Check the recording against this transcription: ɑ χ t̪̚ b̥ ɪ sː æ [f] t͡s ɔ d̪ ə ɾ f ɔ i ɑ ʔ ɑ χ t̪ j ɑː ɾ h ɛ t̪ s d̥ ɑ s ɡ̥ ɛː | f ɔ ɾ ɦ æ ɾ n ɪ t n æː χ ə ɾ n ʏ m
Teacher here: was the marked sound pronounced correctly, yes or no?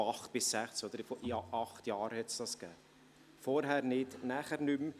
no